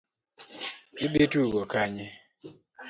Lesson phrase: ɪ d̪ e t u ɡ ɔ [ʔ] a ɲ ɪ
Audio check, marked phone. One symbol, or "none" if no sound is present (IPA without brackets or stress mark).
k